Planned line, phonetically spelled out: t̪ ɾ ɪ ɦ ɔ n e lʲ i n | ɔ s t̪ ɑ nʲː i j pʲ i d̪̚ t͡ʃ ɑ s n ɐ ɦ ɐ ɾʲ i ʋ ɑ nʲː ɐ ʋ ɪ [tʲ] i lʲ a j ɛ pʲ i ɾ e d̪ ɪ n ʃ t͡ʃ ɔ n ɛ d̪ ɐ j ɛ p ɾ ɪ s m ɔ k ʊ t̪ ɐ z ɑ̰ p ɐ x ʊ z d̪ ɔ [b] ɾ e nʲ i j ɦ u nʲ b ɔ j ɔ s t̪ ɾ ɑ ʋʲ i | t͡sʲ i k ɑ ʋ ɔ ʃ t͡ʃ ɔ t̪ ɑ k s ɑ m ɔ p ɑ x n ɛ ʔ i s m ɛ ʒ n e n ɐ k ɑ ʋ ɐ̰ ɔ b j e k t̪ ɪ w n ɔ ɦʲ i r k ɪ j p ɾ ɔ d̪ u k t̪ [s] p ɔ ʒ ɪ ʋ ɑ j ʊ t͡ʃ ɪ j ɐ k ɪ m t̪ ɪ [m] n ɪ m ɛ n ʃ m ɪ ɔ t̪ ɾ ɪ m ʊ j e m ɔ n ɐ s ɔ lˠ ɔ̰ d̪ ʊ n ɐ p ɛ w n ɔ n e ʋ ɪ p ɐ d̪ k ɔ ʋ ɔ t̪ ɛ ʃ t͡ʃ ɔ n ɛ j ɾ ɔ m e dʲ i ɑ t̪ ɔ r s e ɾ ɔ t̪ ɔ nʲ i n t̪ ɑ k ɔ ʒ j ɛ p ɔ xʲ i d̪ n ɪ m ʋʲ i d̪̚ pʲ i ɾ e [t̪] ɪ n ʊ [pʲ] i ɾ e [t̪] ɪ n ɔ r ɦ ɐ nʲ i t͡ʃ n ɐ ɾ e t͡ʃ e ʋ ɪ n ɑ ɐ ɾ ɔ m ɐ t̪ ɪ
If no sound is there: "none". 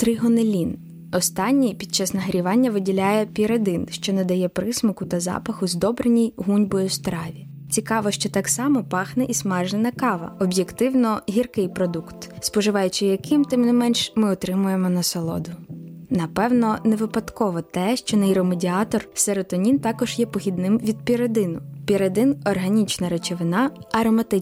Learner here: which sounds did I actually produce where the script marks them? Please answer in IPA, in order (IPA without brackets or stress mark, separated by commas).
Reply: dʲ, b, s, m, d̪, pʲ, d̪